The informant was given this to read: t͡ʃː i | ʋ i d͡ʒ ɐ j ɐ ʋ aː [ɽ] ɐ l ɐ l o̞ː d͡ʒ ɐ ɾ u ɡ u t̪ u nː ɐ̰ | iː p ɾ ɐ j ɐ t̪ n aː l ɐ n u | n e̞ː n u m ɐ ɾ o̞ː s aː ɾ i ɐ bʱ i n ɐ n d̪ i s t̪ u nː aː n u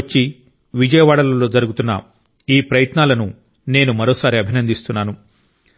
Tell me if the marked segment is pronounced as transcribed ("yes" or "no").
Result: yes